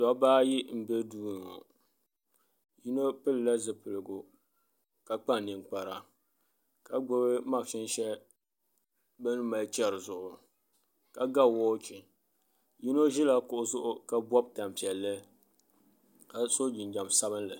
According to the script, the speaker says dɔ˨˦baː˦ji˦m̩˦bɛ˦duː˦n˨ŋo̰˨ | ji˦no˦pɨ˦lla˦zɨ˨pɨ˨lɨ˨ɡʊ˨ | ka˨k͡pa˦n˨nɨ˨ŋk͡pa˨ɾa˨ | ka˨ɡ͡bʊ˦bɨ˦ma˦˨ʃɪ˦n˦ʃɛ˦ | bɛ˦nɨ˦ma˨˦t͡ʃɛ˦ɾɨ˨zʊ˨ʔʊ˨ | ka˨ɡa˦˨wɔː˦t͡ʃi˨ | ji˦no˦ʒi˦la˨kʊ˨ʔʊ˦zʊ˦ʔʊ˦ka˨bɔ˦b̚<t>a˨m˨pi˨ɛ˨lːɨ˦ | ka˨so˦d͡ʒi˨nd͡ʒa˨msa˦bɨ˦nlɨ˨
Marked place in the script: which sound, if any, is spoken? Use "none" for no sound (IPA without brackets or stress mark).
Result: t